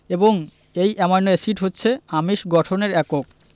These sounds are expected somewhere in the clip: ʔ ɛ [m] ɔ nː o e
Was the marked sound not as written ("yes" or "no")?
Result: no